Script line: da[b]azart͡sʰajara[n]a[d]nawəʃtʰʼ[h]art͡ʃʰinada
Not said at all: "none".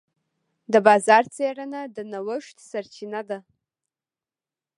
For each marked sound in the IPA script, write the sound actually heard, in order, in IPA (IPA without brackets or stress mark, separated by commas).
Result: b, n, d, s